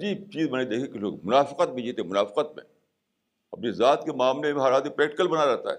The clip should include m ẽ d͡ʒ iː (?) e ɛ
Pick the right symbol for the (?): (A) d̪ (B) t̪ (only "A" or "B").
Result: B